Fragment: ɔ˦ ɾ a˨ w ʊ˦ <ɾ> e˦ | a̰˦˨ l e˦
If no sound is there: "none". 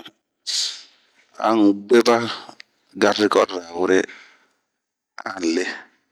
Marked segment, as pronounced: ɾ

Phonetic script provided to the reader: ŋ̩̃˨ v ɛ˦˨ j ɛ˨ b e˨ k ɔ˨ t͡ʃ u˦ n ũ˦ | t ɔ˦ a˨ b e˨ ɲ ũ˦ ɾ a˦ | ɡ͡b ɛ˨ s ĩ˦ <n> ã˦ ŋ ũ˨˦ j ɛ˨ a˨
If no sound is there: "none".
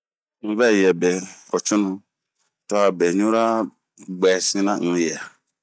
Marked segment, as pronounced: n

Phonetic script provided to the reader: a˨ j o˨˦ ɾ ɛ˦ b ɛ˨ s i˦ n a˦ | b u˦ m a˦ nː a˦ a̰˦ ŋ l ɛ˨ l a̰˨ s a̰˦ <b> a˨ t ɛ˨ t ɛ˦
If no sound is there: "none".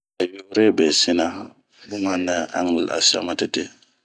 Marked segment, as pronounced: m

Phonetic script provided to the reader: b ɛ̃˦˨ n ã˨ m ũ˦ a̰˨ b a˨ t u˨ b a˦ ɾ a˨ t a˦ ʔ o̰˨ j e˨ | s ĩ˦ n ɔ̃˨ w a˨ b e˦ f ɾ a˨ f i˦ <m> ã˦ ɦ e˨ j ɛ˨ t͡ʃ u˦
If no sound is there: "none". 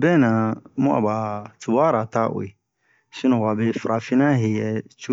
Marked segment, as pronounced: n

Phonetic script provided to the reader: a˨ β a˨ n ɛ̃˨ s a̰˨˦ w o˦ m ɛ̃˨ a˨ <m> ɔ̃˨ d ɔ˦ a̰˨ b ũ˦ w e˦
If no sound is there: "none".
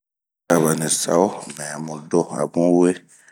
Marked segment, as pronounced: m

